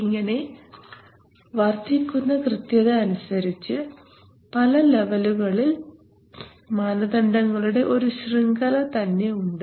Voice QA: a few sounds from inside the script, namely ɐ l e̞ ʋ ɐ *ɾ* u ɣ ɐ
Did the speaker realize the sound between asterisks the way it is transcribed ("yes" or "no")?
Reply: no